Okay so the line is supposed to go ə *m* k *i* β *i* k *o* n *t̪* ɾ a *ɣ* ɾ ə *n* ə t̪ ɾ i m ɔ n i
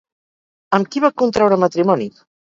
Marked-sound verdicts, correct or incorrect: correct, correct, incorrect: a, incorrect: u, correct, incorrect: w, incorrect: m

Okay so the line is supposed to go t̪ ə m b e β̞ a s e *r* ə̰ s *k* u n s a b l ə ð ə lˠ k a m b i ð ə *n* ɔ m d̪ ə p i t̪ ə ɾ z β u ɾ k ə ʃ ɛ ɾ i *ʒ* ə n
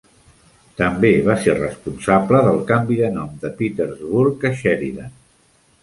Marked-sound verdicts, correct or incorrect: correct, incorrect: p, correct, incorrect: ð

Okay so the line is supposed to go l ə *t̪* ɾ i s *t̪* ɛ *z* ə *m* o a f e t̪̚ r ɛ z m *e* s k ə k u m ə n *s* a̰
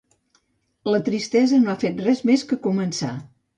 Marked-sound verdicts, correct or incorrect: correct, correct, correct, incorrect: n, correct, correct

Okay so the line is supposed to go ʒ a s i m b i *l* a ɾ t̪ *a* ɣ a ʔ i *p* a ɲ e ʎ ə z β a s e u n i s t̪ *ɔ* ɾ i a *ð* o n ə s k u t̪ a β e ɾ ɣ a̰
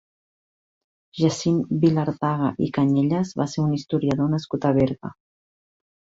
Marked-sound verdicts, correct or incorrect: correct, correct, incorrect: k, incorrect: u, correct

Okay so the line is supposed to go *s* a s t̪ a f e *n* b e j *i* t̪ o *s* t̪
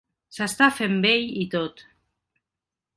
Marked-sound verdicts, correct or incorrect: correct, incorrect: m, correct, incorrect: none

